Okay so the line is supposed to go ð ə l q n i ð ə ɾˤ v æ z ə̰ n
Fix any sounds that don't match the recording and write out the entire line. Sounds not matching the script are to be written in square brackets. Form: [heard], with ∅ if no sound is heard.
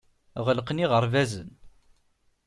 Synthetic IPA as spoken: [ʁ] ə l q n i [ʁ] ə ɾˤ v æ z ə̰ n